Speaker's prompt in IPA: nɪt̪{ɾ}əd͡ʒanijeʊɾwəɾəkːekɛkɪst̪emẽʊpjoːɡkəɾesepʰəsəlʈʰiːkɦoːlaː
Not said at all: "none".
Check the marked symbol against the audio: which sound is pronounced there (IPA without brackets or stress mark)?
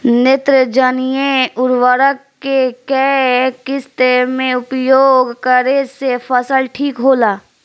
ɾ